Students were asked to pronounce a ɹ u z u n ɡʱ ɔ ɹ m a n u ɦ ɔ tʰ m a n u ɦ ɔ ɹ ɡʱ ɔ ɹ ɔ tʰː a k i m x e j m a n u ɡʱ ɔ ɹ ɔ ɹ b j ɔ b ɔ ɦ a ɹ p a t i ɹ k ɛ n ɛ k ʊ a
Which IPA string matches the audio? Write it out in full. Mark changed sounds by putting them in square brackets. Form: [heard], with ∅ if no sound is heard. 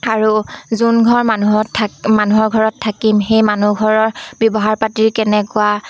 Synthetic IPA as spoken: a ɹ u z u n ɡʱ ɔ ɹ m a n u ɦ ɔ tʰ m a n u ɦ ɔ ɹ ɡʱ ɔ ɹ ɔ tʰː a k i m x e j m a n u ɡʱ ɔ ɹ ɔ ɹ b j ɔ b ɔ ɦ a ɹ p a t i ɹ k ɛ n ɛ k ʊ a